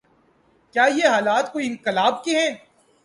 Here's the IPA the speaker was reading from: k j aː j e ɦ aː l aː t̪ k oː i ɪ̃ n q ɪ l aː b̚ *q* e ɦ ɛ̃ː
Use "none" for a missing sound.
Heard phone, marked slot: k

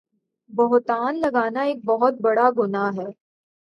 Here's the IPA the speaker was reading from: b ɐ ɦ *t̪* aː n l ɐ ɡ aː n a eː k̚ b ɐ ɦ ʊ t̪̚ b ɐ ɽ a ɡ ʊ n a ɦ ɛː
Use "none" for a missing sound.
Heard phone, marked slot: t̪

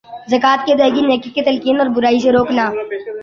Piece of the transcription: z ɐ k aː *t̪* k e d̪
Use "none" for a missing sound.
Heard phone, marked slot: t̪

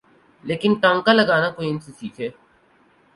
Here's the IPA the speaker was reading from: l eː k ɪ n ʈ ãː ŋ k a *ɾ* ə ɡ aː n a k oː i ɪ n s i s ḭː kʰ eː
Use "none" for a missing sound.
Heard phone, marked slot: l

